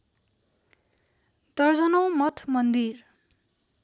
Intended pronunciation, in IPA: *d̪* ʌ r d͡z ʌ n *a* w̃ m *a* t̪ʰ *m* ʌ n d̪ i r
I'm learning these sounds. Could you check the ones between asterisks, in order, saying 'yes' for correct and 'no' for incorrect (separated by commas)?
yes, no, no, yes